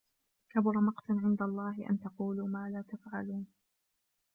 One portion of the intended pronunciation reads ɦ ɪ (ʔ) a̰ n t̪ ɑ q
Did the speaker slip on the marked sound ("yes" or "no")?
no